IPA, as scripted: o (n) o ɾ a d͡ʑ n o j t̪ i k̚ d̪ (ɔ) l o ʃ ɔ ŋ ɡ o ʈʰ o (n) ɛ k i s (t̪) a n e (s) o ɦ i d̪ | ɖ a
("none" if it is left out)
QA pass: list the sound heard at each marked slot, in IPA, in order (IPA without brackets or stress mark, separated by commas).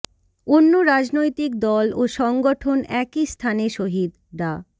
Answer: nː, ɔ, n, t̪ʰ, ʃ